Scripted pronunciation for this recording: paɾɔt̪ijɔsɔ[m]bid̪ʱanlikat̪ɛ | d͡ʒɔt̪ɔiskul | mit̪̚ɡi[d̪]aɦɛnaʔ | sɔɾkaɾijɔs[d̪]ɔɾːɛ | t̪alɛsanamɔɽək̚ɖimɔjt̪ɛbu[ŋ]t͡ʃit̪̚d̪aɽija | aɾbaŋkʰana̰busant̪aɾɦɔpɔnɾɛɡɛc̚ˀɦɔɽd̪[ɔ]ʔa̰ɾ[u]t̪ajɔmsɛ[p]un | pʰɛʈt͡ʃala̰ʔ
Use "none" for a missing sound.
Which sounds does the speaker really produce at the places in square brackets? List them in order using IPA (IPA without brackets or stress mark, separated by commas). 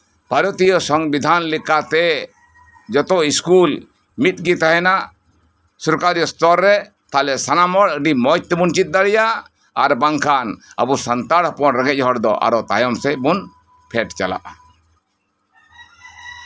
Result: ŋ, t̪, t̪, n, ɔ, ɔ, b